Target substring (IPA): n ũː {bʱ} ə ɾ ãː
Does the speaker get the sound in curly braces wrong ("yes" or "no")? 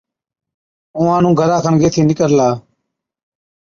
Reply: yes